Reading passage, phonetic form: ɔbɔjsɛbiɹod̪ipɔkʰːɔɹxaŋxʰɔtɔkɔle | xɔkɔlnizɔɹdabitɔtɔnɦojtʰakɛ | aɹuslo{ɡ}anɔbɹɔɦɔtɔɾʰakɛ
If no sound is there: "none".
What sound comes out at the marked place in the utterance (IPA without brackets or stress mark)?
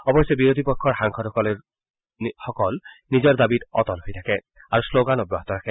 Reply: ɡ